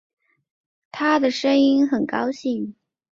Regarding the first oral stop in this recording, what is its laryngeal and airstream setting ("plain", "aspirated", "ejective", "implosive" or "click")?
aspirated